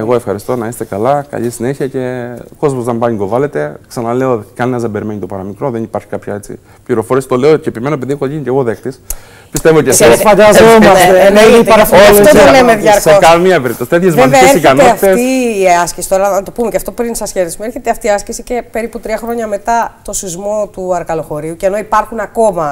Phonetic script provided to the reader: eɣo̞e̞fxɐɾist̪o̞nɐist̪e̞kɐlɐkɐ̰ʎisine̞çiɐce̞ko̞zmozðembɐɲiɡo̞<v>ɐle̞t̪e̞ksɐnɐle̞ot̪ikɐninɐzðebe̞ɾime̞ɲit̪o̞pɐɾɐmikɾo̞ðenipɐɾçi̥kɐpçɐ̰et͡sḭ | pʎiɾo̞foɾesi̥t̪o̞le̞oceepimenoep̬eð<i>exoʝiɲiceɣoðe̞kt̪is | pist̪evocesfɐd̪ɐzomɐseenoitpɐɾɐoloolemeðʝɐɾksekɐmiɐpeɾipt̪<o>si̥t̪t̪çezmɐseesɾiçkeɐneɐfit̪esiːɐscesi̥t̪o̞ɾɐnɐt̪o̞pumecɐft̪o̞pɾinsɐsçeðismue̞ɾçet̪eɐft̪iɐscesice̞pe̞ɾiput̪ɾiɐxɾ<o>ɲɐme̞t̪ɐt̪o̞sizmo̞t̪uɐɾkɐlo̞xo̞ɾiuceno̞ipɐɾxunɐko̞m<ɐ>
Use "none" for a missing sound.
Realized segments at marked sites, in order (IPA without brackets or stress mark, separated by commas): v, i, o, o, ɐ